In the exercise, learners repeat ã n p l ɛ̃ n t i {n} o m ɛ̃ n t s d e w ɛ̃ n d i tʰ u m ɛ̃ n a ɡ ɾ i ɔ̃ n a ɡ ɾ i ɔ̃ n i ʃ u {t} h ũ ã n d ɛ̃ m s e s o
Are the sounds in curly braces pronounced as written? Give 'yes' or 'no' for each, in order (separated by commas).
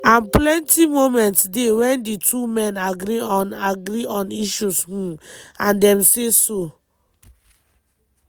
no, no